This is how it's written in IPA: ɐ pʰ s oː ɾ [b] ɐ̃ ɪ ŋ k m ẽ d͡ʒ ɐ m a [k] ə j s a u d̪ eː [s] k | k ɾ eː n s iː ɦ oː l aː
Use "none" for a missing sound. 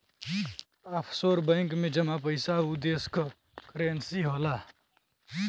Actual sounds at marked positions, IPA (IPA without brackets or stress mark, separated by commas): b, p, s